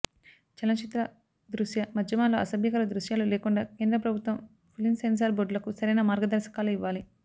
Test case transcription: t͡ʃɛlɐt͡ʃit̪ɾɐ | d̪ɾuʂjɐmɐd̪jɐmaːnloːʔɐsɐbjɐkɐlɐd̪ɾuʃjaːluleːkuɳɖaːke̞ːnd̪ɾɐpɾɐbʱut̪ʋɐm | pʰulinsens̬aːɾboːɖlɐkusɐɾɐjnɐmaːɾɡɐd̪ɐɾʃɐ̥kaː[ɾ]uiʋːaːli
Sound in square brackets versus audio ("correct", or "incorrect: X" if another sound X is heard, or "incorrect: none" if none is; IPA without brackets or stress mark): incorrect: l